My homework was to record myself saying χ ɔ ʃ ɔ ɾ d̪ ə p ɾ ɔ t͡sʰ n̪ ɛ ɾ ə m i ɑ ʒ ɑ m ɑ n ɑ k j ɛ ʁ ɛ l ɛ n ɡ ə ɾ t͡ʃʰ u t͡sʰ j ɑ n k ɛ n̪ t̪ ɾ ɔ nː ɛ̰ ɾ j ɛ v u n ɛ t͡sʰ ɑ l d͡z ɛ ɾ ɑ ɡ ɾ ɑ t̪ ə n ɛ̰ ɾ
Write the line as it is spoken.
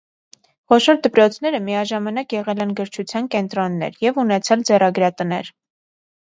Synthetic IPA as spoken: χ ɔ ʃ ɔ ɾ d̪ ə p ɾ ɔ t͡sʰ n̪ ɛ ɾ ə m i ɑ ʒ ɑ m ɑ n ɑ k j ɛ ʁ ɛ l ɛ n ɡ ə ɾ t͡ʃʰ u t͡sʰ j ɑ n k ɛ n̪ t̪ ɾ ɔ nː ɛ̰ ɾ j ɛ v u n ɛ t͡sʰ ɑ l d͡z ɛ r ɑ ɡ ɾ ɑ t̪ ə n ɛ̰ ɾ